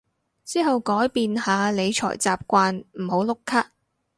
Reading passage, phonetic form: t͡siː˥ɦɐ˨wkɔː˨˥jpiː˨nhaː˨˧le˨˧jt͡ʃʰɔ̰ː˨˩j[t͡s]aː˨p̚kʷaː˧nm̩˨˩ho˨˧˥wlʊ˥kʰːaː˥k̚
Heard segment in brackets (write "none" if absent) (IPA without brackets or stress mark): t͡s